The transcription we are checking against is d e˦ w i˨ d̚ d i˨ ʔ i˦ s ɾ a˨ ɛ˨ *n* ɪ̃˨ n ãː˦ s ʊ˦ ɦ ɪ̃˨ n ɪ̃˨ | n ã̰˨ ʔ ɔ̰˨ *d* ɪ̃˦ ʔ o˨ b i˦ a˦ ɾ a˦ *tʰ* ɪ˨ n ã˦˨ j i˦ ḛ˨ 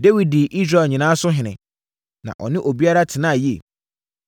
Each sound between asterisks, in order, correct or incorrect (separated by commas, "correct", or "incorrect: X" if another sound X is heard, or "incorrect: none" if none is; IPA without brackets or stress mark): incorrect: ɲ, incorrect: n, correct